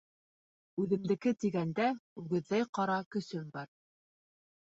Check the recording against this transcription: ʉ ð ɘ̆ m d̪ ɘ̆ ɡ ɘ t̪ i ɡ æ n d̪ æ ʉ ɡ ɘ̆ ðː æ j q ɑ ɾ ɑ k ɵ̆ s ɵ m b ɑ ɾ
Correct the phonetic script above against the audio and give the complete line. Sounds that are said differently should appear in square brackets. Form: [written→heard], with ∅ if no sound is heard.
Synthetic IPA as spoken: ʉ ð ɘ̆ m d̪ ɘ̆ [ɡ→k] ɘ t̪ i ɡ æ n d̪ æ ʉ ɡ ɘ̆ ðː æ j q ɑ ɾ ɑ k ɵ̆ s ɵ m b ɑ ɾ